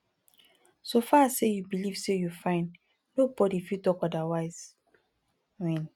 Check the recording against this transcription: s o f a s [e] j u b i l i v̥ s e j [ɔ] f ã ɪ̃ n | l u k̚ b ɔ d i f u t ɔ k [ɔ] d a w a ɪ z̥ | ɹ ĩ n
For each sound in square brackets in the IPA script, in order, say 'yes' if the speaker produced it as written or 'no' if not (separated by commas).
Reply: yes, no, yes